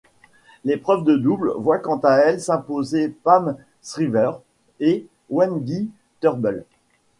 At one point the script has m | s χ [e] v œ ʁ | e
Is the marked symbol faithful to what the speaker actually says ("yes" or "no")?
no